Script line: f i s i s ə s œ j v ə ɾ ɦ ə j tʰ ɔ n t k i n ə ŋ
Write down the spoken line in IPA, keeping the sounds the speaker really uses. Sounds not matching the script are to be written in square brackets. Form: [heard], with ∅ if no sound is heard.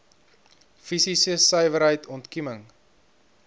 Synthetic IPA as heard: f i s i s ə s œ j v ə ɾ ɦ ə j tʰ ɔ n t k i [m] ə ŋ